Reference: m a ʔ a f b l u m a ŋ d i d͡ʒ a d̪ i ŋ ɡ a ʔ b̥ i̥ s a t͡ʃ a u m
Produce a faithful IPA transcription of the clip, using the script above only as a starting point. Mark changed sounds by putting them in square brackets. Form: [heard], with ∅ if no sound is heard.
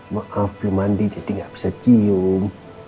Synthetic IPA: m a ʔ a f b l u m a [n] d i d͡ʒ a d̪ i ŋ ɡ a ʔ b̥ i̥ s a t͡ʃ [i] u m